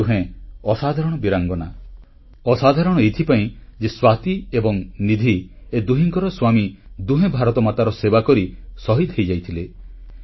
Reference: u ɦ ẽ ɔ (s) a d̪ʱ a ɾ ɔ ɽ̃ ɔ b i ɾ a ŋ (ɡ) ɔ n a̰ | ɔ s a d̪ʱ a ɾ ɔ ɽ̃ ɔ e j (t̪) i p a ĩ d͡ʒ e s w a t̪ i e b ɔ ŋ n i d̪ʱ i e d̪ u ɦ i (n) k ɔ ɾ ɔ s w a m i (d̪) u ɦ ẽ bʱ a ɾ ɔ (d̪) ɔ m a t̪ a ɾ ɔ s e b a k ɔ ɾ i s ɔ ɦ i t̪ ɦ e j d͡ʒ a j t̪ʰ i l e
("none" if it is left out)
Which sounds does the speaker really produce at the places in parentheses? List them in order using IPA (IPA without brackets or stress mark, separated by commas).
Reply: s, ɡ, t̪ʰ, ŋ, d̪, t̪